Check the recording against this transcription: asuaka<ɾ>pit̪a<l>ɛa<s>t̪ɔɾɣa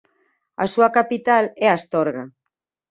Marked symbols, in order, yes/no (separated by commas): no, yes, yes